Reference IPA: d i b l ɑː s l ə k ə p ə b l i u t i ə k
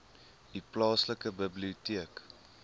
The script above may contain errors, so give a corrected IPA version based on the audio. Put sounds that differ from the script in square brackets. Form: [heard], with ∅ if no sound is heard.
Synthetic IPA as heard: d i [p] l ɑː s l ə k ə [b] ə b l i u t i ə k